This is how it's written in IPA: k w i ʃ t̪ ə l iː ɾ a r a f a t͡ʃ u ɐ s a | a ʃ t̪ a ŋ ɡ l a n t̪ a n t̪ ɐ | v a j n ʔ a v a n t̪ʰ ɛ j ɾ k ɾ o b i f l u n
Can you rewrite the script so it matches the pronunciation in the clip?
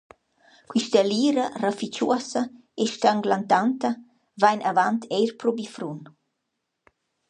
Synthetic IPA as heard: k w i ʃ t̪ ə l iː ɾ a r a f i t͡ʃ u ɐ s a | e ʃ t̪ a ŋ ɡ l a n t̪ a n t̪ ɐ | v a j n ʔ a v a n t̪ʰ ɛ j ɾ p ɾ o b i f ɾ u n